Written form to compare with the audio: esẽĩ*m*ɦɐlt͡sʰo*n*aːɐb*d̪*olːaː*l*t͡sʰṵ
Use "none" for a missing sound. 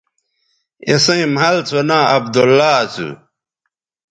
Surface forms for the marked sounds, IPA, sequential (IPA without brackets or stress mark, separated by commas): m, n, d̪, none